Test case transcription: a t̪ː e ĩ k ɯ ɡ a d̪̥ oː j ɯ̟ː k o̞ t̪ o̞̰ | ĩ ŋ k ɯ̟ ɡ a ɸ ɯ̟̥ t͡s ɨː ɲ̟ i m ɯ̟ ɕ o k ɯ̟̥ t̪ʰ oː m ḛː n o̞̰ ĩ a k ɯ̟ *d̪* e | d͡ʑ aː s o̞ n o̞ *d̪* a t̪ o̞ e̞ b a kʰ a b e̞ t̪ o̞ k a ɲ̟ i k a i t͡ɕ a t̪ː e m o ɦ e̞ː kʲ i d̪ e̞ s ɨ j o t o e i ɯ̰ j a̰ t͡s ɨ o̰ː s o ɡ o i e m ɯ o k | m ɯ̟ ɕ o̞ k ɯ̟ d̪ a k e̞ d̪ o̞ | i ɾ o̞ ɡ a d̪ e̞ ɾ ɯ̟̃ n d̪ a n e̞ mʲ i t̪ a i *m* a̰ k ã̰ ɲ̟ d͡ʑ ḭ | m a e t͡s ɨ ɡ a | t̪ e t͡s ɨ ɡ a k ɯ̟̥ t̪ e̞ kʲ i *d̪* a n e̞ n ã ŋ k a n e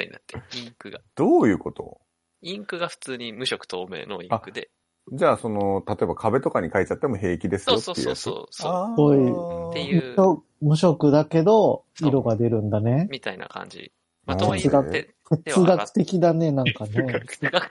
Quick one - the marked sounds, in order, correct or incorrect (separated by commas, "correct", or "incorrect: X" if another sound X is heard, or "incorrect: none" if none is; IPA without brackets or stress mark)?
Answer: correct, incorrect: t̪, incorrect: n, correct